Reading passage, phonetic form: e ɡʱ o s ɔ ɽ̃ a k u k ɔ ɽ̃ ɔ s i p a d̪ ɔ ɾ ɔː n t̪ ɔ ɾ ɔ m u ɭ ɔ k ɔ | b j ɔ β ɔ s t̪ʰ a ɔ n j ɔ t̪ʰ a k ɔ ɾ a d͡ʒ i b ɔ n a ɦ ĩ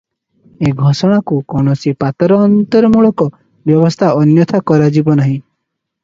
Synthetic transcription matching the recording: e ɡʱ ɔ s ɔ ɽ̃ a k u k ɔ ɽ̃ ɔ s i p a t̪ ɔ ɾ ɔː n t̪ ɔ ɾ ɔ m u ɭ ɔ k ɔ | b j ɔ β ɔ s t̪ʰ a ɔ n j ɔ t̪ʰ a k ɔ ɾ a d͡ʒ i b ɔ n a ɦ ĩ